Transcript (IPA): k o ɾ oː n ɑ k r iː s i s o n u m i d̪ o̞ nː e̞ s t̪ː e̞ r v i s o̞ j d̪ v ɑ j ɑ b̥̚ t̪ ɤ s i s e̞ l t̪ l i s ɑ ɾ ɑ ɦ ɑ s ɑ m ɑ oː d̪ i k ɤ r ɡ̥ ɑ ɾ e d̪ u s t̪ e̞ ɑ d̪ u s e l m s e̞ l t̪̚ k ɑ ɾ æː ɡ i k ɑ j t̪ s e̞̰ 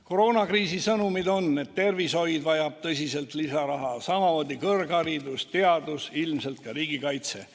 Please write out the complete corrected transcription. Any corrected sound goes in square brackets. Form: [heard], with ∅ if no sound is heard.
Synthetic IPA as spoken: k o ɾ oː n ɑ k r iː s i s [ɤ] n u m i d̪ o̞ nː e̞ [t] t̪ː e̞ r v i s o̞ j d̪ v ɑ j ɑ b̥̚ t̪ ɤ s i s e̞ l t̪ l i s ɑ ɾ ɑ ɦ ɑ s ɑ m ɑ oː d̪ i k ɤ r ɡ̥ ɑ ɾ [i] d̪ u s t̪ e̞ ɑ d̪ u s [i] l m s e̞ l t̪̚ k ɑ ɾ [iː] ɡ i k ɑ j t̪ s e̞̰